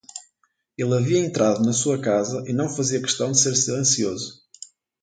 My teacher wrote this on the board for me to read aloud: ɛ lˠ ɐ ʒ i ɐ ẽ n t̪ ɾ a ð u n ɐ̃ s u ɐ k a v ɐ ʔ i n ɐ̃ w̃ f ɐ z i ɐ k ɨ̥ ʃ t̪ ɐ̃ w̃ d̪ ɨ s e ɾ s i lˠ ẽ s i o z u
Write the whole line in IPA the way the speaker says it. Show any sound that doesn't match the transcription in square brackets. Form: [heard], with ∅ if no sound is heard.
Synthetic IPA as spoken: [e] lˠ ɐ [v] i ɐ ẽ n t̪ ɾ a ð u n [ɐ] s u ɐ k a [z] ɐ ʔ i n ɐ̃ w̃ f ɐ z i ɐ k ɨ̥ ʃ t̪ ɐ̃ w̃ d̪ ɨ s e ɾ s i lˠ ẽ s i o z u